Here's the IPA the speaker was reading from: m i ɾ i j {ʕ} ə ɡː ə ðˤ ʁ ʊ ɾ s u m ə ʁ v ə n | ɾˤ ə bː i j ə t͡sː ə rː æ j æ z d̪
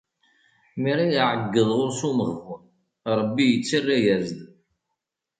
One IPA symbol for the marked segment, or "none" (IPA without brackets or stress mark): ʕ